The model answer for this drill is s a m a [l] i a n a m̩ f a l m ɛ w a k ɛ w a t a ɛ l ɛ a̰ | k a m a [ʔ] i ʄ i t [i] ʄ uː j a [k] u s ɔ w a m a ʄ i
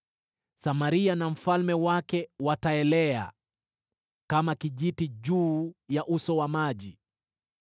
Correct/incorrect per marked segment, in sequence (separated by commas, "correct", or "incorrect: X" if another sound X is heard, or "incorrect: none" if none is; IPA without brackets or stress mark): incorrect: ɾ, incorrect: k, correct, incorrect: ʔ